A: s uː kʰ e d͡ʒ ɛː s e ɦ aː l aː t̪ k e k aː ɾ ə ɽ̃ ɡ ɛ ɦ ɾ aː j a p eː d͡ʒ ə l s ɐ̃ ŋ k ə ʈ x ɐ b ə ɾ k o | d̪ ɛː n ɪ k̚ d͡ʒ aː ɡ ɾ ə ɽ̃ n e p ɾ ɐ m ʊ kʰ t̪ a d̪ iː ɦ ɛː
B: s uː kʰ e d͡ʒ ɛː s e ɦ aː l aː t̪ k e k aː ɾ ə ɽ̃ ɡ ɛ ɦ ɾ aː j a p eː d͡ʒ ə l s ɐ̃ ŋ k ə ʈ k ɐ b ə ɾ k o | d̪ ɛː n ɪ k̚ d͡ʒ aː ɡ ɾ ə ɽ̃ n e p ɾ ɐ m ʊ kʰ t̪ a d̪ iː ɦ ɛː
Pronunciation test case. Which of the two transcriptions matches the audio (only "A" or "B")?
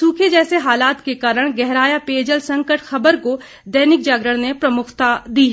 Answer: A